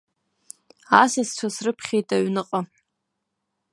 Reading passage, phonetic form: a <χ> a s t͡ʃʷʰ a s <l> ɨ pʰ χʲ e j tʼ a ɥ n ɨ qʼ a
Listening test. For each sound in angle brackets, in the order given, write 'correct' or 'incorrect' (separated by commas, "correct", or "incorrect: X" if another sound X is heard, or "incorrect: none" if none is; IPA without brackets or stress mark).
incorrect: s, incorrect: r